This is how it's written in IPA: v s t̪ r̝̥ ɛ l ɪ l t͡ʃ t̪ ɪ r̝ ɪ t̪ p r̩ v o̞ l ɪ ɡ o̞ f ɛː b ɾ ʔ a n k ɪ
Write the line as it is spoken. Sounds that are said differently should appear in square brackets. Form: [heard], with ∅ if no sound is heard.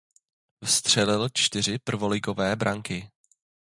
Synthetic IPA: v s t̪ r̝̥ ɛ l ɪ l t͡ʃ t̪ ɪ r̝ ɪ [∅] p r̩ v o̞ l ɪ ɡ o̞ [v] ɛː b ɾ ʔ a [ŋ] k ɪ